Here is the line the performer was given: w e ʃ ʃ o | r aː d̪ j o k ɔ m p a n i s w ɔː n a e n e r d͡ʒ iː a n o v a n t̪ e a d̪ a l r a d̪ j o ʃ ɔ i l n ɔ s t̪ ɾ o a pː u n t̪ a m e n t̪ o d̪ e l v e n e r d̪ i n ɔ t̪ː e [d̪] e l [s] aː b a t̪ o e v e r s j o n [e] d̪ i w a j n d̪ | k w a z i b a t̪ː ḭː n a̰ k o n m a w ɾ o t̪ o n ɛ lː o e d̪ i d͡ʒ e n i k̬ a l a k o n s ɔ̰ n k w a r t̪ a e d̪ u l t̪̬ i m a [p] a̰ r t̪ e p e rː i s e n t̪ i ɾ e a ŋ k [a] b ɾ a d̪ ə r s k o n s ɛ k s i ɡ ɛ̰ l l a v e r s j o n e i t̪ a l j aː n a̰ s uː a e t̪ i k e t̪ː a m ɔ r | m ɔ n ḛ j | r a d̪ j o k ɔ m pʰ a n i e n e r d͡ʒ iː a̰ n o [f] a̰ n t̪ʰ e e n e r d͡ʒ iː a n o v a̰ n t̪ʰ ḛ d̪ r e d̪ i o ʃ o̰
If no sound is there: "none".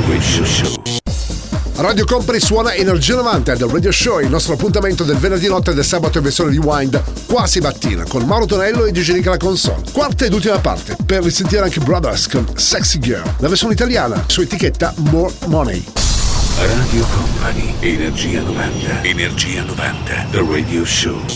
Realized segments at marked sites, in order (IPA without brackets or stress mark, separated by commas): d̪, s, e, p, e, v